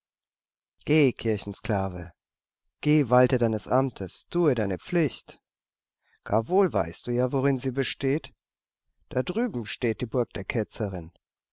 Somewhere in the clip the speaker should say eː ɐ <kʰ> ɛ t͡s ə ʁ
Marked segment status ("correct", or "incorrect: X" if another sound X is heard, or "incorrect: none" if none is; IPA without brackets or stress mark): correct